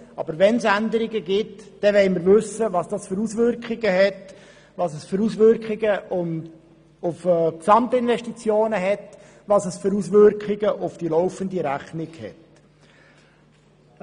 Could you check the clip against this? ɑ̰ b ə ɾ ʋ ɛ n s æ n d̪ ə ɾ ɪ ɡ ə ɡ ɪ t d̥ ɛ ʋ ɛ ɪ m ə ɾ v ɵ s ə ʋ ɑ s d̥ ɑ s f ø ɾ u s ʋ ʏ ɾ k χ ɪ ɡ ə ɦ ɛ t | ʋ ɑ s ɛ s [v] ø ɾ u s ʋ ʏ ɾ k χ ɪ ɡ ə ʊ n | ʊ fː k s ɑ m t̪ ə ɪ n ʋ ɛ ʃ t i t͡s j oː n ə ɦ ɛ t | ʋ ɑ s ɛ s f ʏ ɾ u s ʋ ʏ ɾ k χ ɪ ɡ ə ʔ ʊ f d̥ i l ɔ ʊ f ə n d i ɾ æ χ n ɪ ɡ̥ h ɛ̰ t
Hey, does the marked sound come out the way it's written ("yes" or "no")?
no